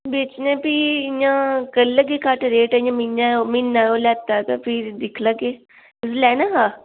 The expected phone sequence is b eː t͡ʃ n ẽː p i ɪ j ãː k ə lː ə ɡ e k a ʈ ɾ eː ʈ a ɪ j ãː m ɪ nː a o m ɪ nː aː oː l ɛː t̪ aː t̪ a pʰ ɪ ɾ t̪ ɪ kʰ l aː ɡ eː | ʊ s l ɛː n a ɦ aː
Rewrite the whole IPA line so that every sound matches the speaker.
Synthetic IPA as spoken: b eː t͡ʃ n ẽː p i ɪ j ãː k ə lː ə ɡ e k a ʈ ɾ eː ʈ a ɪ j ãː m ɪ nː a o m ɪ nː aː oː l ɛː t̪ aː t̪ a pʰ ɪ ɾ d̪ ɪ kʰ l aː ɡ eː | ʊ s l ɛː n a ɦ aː